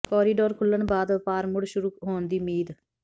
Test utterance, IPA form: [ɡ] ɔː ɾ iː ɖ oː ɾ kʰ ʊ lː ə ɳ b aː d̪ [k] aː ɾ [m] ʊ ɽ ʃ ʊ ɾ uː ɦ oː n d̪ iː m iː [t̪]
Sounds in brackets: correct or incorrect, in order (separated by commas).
incorrect, incorrect, correct, incorrect